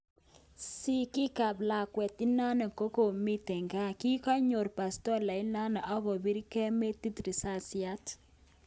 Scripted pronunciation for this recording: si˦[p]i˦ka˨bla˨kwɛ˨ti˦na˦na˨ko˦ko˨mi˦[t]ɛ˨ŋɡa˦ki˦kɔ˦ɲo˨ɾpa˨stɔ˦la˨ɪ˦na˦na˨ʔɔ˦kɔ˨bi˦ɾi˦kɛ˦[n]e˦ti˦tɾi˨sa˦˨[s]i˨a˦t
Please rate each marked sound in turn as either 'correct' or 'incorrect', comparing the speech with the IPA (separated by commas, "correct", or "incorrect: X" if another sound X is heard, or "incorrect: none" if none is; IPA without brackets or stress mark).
incorrect: k, correct, incorrect: m, correct